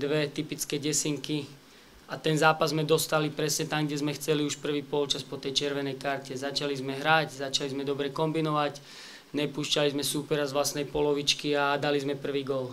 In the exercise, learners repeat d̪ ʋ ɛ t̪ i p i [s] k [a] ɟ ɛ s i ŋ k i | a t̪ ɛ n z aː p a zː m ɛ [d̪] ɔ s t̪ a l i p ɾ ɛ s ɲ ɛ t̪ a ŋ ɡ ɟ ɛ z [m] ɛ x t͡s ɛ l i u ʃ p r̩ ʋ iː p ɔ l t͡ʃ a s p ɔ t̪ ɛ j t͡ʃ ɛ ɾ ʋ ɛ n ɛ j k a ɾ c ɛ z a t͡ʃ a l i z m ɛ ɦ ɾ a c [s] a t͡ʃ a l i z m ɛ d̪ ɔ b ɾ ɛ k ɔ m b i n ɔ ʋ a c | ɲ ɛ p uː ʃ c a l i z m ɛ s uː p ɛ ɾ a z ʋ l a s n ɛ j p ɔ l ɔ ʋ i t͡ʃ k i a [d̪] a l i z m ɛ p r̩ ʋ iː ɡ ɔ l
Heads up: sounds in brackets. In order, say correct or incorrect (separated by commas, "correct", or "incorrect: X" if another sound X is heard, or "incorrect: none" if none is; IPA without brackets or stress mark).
incorrect: t͡s, incorrect: ɛ, correct, correct, incorrect: z, correct